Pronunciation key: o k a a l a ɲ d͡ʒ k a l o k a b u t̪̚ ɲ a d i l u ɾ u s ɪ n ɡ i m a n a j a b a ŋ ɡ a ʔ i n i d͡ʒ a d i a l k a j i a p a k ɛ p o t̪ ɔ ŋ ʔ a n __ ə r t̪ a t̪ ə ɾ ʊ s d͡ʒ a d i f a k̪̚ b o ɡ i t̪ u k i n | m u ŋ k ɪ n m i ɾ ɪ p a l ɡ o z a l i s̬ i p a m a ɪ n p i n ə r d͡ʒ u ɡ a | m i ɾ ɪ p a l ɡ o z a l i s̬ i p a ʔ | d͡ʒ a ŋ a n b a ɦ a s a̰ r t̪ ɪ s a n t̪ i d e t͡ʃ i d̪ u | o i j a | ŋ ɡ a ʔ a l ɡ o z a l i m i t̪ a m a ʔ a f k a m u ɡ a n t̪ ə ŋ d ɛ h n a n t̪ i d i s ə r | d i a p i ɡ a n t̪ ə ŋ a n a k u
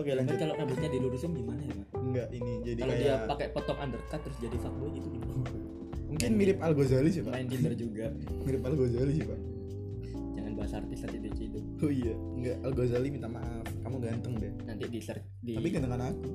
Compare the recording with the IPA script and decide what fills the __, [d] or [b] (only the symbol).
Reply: d